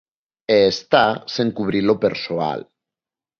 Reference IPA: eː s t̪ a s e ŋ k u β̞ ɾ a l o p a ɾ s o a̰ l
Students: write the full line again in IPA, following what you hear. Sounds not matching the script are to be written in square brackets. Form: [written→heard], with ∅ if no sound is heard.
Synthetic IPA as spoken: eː s t̪ a s e ŋ k u β̞ ɾ [a→i] l o p [a→e] ɾ s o a̰ l